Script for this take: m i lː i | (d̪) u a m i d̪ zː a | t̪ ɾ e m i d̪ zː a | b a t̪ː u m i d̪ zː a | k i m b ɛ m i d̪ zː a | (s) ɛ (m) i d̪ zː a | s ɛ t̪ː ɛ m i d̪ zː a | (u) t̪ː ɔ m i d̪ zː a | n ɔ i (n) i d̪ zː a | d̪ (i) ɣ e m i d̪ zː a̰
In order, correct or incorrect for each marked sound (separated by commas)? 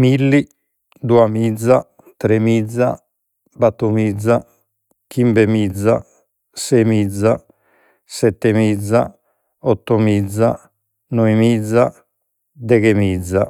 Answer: correct, correct, correct, incorrect, incorrect, incorrect